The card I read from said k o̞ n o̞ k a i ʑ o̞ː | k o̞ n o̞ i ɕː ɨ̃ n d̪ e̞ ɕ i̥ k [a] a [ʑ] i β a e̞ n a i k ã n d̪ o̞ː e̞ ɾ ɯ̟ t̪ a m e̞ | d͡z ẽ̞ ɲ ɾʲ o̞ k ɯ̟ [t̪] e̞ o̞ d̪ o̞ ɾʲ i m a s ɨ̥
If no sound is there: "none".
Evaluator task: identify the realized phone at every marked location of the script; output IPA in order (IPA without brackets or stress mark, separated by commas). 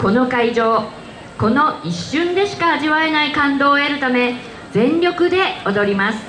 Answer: a, ʑ, d̪